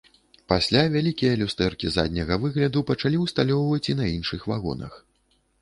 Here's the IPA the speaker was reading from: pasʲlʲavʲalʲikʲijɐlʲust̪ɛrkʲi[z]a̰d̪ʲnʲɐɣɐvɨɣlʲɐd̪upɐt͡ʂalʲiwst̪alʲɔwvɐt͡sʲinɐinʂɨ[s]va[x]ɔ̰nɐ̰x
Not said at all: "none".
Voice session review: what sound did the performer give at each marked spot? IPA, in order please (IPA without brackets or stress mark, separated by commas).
z, x, ɣ